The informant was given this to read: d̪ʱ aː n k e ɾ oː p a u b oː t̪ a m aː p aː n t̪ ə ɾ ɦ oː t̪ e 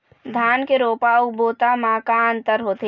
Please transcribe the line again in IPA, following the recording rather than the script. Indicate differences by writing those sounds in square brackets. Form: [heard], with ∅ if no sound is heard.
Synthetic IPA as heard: d̪ʱ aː n k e ɾ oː p a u b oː t̪ a m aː [k] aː n t̪ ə ɾ ɦ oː t̪ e